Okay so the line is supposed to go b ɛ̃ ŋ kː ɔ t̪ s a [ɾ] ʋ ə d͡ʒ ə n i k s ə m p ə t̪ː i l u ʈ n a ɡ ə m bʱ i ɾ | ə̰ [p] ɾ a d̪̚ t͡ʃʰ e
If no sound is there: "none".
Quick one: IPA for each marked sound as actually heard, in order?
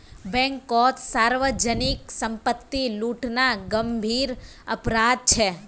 ɾ, p

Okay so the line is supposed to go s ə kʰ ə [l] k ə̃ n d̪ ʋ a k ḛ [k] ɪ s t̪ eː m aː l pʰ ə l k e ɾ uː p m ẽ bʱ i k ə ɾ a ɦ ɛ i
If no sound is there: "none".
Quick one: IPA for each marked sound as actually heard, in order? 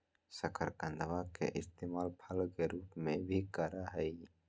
ɾ, ʔ

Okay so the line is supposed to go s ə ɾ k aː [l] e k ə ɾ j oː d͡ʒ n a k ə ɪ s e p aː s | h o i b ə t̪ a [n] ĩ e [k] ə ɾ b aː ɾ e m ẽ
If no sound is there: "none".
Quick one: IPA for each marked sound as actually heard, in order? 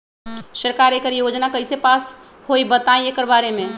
ɾ, none, k

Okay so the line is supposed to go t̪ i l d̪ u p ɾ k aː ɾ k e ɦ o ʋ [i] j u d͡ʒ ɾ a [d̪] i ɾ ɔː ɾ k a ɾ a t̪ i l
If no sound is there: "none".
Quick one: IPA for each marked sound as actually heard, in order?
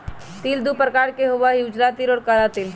a, t̪

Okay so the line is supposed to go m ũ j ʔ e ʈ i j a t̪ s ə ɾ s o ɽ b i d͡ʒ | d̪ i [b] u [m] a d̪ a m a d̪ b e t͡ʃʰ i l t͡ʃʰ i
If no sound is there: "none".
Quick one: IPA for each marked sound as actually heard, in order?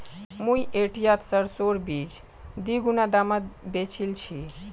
ɡ, n

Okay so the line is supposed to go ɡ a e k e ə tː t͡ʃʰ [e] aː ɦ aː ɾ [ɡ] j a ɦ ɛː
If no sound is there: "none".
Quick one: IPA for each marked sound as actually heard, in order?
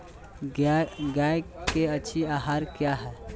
i, k

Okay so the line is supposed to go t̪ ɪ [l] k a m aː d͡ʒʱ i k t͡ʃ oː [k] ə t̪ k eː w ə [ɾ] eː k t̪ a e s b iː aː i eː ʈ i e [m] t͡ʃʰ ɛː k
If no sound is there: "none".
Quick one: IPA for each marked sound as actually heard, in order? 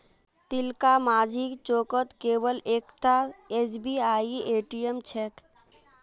l, k, l, m

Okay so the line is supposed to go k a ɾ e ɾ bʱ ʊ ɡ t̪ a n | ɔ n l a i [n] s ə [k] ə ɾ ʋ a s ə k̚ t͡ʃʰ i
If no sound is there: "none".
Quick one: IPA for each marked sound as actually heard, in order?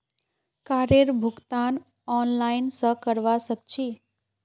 n, k

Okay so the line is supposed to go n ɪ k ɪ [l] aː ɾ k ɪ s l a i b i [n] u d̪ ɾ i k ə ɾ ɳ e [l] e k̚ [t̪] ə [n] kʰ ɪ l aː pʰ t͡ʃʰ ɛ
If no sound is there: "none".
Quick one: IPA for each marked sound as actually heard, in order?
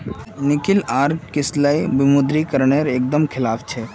l, m, ɾ, d̪, m

